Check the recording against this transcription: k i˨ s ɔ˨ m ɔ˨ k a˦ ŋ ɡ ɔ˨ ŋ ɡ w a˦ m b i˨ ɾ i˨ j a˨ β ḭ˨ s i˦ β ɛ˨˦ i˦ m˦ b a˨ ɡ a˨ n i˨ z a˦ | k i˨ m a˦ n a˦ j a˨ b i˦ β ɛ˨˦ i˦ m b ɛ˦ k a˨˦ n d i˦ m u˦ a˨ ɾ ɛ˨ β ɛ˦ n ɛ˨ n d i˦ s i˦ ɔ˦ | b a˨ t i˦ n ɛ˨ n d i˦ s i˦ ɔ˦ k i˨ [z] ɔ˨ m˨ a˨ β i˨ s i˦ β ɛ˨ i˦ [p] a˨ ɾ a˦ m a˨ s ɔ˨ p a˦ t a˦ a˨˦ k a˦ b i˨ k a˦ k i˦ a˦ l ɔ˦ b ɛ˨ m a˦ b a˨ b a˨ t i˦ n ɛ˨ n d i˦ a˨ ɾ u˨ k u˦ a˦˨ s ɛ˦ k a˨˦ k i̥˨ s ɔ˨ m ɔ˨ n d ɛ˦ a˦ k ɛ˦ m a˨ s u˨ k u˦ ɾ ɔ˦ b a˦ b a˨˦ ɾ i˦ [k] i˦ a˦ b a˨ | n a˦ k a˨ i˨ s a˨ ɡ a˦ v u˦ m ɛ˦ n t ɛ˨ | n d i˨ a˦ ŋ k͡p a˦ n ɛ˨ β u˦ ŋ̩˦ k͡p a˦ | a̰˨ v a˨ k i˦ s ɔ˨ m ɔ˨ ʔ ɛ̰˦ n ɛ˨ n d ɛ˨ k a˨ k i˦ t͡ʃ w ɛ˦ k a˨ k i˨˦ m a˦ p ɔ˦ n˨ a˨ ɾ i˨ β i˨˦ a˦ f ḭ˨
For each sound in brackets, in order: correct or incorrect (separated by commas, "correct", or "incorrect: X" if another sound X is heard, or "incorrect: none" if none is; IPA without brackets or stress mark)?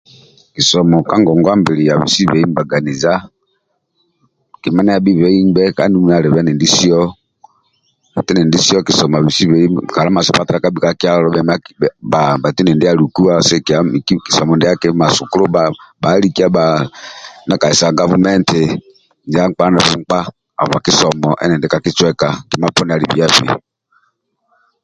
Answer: incorrect: s, incorrect: k, correct